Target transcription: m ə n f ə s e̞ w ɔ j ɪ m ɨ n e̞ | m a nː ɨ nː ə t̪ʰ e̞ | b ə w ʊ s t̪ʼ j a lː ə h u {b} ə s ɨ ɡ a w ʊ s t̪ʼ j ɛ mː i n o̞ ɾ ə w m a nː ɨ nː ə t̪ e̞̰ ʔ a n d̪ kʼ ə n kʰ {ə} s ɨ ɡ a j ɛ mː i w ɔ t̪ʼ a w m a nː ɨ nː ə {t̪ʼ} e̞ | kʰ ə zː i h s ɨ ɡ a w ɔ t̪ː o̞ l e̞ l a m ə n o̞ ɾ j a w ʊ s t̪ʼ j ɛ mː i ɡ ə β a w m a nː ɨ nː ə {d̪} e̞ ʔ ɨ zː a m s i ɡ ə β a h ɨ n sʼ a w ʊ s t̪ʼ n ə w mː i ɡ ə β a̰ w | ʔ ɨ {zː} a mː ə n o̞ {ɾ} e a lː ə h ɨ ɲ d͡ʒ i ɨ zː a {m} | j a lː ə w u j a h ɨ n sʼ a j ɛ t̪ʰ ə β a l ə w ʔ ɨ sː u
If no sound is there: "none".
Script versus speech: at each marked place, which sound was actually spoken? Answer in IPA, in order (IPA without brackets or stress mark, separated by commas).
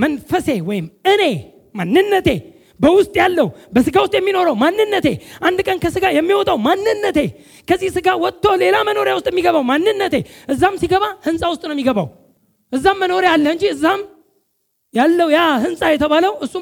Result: b, ə, t̪, t̪, zː, ɾ, m